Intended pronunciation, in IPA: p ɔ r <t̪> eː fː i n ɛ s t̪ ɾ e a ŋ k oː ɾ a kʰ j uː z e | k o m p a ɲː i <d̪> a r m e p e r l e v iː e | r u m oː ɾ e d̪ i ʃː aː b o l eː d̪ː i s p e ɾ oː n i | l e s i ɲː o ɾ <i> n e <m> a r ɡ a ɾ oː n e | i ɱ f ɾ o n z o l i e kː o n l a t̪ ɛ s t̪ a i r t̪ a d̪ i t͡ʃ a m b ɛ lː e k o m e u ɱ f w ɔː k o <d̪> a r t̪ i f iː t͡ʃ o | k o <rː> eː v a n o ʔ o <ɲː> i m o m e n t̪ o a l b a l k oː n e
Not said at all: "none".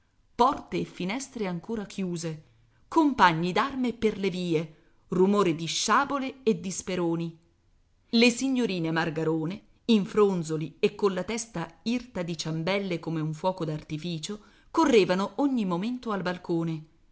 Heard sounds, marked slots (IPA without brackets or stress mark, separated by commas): t̪, d̪, iː, m, d̪, rː, ɲː